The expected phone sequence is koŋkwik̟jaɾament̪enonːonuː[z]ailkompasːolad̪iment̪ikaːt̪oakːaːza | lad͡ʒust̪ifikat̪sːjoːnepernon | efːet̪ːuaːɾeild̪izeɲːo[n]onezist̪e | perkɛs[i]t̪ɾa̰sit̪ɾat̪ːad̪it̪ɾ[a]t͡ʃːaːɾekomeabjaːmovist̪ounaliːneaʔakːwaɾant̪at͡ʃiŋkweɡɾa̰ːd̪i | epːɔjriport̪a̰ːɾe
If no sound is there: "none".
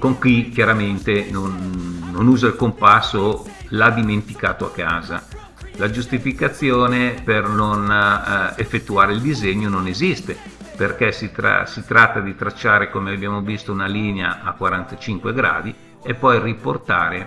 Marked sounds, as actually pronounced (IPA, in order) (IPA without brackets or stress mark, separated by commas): z, n, i, a